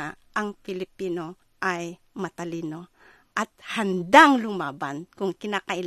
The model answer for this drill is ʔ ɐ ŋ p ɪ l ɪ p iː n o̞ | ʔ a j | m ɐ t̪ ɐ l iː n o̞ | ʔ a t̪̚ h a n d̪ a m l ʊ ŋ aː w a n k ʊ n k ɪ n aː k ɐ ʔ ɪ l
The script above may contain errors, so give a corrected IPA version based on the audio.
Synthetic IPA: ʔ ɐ ŋ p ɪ l ɪ p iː n o̞ | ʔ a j | m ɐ t̪ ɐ l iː n o̞ | ʔ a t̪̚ h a n d̪ a ŋ l ʊ m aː b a n k ʊ ŋ k ɪ n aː k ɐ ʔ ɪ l